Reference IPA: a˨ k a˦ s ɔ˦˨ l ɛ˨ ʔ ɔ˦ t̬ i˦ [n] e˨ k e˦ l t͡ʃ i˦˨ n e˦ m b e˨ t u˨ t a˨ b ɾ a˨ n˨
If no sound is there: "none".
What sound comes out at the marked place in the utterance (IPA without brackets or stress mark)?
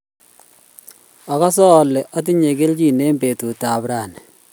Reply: ɲ